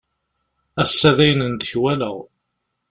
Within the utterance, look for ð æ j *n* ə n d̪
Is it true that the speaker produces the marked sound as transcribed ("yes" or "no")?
yes